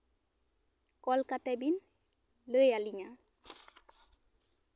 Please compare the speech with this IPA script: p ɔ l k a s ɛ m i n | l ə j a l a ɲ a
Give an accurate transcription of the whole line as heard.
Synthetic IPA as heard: k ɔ l k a t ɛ b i n | l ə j a l i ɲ a